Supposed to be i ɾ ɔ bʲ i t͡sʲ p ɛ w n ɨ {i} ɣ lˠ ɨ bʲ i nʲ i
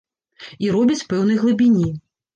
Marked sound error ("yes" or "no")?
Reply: yes